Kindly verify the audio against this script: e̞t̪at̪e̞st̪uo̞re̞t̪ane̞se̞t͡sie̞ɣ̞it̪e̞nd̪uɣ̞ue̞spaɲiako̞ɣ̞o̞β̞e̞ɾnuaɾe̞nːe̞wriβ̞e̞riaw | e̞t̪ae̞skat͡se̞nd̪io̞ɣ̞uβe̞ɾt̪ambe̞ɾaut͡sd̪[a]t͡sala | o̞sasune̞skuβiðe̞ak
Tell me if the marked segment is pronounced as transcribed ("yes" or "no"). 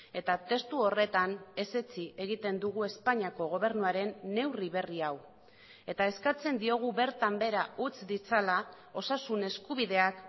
no